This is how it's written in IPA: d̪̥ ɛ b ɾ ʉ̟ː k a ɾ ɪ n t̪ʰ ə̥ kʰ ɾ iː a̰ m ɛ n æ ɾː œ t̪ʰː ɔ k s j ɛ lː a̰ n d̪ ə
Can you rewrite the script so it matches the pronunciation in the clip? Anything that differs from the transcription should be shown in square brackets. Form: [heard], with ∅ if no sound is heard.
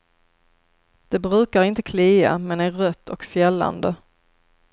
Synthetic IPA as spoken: d̪̥ ɛ b ɾ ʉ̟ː k a ɾ ɪ n [t̪] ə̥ kʰ [l] iː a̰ m ɛ n æ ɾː œ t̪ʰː ɔ k [f] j ɛ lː a̰ n d̪ ə

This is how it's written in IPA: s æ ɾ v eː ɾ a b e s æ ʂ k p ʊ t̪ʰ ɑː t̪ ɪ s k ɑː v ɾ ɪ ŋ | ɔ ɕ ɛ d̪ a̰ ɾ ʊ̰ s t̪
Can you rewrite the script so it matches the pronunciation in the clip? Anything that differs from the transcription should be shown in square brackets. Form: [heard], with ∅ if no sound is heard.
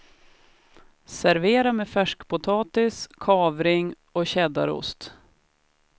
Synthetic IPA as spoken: s æ ɾ v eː ɾ a [m] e [f] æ ʂ k p ʊ t̪ʰ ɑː t̪ ɪ s [kʰ] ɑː v ɾ ɪ ŋ | ɔ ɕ ɛ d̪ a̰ ɾ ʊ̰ s t̪

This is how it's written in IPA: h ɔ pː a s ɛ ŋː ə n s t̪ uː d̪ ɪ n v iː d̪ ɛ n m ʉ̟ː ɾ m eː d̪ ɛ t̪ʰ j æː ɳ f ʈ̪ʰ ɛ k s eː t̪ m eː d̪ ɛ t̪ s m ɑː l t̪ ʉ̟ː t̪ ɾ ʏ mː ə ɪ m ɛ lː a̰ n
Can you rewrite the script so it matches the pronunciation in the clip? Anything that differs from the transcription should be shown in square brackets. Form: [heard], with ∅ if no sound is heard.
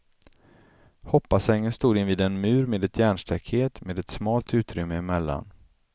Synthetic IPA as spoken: h ɔ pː a s ɛ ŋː ə n s t̪ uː d̪ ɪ n v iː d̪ ɛ n m ʉ̟ː ɾ m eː d̪ ɛ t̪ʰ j æː ɳ [ʂ] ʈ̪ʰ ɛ k [h] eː t̪ m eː d̪ ɛ t̪ s m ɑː l t̪ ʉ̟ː t̪ ɾ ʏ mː ə ɪ m ɛ lː a̰ n

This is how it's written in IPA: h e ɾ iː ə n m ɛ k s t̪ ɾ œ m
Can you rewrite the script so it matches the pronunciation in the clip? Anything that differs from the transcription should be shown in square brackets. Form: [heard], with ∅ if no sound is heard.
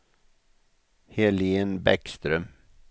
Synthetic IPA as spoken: h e [l] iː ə n [b] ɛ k s t̪ ɾ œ m

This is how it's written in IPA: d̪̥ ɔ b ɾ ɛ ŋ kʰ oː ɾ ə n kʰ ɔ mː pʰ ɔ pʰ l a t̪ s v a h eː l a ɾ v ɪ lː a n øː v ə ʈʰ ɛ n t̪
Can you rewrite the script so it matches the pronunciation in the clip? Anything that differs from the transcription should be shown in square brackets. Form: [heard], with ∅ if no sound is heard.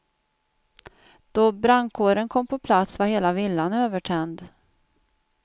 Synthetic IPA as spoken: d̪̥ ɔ b ɾ [a] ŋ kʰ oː ɾ ə n kʰ ɔ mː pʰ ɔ pʰ l a t̪ s v a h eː l a [∅] v ɪ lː a n øː v ə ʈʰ ɛ n [d̪]

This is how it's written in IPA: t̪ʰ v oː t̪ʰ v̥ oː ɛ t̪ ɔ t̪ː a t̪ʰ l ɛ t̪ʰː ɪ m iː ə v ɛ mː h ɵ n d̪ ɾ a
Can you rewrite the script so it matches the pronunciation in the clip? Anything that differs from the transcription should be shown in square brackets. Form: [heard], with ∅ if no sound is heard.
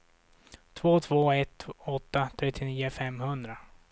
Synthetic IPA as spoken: t̪ʰ v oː t̪ʰ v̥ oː ɛ t̪ ɔ t̪ː a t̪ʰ [ɾ] ɛ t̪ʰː ɪ [n] iː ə [f] ɛ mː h ɵ n d̪ ɾ a

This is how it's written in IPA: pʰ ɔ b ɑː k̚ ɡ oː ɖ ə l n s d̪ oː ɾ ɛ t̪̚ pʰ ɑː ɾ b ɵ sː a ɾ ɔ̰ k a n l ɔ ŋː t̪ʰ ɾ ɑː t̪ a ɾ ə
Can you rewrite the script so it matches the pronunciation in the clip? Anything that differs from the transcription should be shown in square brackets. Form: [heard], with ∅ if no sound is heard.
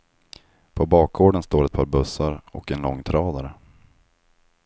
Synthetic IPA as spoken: pʰ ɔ b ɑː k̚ ɡ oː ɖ ə [∅] n s [t̪] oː ɾ ɛ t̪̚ pʰ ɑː ɾ b ɵ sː a ɾ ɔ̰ k [ɛ] n l ɔ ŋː t̪ʰ ɾ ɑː [d̪] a ɾ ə

